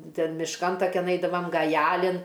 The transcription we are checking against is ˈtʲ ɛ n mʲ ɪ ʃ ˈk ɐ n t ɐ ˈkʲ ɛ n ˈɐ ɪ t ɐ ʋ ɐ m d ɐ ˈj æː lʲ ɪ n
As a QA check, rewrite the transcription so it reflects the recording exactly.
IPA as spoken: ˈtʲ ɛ n mʲ ɪ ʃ ˈk ɐ n t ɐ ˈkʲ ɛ n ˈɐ ɪ d ɐ ʋ ɐ m ɡ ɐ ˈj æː lʲ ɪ n